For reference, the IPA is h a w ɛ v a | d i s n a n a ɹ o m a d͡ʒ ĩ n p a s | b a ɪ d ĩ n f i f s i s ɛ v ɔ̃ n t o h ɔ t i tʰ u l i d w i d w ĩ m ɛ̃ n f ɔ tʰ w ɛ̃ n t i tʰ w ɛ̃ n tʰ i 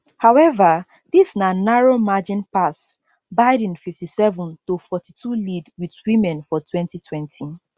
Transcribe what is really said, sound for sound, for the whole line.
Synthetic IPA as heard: h a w ɛ v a | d i s n a n a ɹ o m a d͡ʒ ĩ n p a s | b a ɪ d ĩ n f i f t i s ɛ v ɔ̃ n t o f ɔ t i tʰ u l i d w i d w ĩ m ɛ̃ n f ɔ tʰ w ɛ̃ n t i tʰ w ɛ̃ n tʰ i